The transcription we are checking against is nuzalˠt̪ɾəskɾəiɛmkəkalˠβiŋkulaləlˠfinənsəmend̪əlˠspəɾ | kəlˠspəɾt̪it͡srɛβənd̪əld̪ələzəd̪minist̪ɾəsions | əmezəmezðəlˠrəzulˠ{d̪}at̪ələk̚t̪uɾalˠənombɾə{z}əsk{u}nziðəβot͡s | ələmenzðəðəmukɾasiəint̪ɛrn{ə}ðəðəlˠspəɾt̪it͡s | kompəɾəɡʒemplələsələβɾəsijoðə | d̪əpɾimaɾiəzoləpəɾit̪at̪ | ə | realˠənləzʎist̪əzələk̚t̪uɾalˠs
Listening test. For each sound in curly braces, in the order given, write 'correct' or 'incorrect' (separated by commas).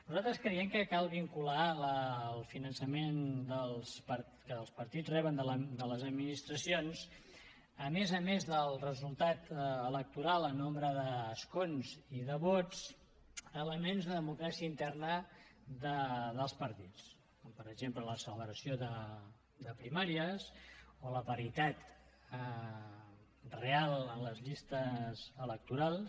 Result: incorrect, incorrect, incorrect, correct